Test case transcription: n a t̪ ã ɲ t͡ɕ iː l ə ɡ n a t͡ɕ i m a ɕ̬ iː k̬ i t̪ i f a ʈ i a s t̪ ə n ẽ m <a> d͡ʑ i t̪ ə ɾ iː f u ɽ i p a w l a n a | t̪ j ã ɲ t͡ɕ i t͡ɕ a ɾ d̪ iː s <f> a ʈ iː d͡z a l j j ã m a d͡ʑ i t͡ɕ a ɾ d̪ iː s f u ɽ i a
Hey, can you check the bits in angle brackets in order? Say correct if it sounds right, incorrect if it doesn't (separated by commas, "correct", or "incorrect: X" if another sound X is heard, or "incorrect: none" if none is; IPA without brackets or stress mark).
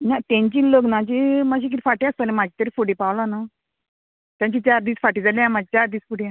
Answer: correct, correct